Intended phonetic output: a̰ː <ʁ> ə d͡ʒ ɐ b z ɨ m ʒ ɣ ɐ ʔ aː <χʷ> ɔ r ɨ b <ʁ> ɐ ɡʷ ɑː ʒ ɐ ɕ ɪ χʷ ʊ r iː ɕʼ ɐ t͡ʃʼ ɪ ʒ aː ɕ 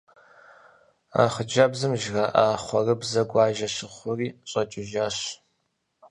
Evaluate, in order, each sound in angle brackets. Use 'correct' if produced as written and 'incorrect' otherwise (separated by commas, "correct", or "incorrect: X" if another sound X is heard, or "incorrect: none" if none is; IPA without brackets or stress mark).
incorrect: χ, correct, incorrect: z